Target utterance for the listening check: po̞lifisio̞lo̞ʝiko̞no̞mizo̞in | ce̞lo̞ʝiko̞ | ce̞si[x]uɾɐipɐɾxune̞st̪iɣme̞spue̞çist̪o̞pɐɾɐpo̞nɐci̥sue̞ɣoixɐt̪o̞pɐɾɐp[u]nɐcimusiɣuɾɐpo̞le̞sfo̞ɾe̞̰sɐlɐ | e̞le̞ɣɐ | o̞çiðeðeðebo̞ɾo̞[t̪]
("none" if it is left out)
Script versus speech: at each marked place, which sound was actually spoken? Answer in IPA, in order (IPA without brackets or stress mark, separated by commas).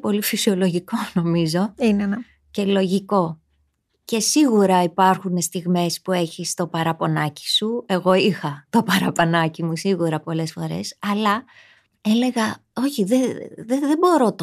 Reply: ɣ, o, t̪